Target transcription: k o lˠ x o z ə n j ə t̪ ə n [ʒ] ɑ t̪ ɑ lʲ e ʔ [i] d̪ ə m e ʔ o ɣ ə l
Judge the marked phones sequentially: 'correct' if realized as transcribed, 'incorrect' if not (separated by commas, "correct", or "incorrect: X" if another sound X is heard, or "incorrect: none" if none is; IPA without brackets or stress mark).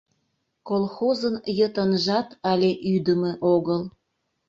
correct, incorrect: y